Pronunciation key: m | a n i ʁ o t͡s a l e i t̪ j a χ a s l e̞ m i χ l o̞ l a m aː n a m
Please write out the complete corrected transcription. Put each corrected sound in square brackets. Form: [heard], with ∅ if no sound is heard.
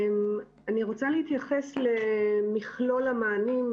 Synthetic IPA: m | a n i ʁ o t͡s a l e i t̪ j a χ [e] s l e̞ m i χ l o̞ l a m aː n [i] m